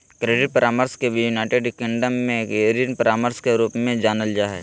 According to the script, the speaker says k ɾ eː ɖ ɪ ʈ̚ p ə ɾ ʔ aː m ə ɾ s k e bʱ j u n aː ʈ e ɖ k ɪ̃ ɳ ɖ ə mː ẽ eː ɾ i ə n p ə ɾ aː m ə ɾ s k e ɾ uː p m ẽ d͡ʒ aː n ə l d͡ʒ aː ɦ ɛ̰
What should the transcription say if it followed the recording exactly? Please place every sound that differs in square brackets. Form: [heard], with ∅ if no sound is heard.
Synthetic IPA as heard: k ɾ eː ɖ ɪ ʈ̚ p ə ɾ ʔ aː m ə ɾ s k e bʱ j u n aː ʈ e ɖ k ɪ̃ ɳ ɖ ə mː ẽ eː ɾ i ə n p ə ɾ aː m ə ɾ s k e ɾ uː p m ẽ d͡ʒ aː n ə l d͡ʒ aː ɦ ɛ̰